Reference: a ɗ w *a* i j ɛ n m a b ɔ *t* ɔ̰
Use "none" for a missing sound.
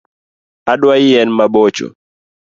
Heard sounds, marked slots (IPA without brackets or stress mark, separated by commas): a, t͡ʃ